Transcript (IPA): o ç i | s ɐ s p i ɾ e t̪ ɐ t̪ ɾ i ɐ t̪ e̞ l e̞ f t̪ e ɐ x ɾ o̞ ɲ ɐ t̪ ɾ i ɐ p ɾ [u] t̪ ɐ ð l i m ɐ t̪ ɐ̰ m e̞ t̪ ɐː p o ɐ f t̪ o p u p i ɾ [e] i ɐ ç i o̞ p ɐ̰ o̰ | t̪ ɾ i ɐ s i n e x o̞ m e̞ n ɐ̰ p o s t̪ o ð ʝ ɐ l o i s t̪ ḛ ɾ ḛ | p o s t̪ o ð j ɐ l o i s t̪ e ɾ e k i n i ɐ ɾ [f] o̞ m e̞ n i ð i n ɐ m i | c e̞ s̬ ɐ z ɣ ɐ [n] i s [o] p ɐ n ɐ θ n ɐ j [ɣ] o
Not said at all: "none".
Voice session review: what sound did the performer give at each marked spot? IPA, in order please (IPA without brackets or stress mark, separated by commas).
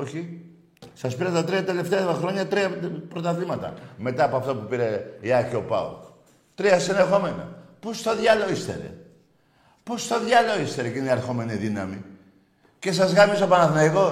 o, e, x, m, o, ɣ